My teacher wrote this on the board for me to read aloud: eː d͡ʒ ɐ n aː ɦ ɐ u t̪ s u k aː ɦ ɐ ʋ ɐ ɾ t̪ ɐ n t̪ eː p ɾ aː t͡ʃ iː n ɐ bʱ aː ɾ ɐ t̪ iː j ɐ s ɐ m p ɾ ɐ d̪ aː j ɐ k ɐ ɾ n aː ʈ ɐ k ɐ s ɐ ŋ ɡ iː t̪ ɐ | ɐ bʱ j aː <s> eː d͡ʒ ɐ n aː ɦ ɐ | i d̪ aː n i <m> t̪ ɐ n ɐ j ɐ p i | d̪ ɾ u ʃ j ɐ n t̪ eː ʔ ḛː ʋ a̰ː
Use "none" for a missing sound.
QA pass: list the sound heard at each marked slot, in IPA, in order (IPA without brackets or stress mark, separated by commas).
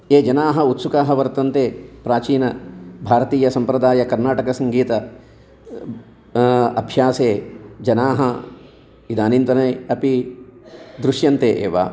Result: s, n